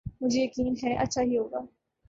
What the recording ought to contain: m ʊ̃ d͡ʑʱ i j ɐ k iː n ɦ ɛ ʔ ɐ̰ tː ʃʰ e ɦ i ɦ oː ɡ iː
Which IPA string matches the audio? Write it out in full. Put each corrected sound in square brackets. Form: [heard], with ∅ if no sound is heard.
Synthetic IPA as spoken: m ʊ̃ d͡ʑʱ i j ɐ k iː n ɦ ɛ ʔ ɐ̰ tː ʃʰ [a] ɦ i ɦ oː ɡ [aː]